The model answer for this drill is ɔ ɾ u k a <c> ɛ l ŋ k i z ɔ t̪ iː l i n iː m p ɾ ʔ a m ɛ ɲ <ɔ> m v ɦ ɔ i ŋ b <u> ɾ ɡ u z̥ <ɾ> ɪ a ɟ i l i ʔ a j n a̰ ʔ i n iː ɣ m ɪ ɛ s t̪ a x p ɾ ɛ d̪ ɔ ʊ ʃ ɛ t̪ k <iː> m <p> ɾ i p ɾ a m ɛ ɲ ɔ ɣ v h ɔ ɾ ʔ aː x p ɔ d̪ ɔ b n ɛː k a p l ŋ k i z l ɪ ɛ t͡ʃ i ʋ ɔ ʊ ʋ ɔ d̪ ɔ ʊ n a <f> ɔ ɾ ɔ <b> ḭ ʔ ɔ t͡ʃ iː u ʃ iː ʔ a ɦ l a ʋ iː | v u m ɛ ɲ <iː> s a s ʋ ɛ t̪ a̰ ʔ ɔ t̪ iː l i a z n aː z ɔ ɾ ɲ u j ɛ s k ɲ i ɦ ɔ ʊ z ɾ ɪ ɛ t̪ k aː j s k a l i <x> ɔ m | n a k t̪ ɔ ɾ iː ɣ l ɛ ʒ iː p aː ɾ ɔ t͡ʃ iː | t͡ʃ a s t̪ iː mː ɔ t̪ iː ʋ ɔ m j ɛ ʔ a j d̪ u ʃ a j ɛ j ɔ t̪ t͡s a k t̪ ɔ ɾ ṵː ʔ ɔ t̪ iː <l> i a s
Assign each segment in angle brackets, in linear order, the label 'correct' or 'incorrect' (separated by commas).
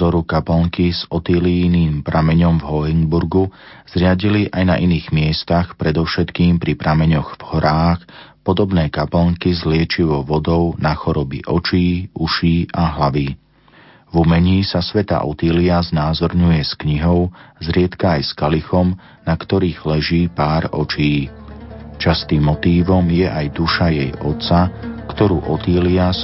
incorrect, correct, correct, correct, correct, correct, incorrect, correct, correct, correct, correct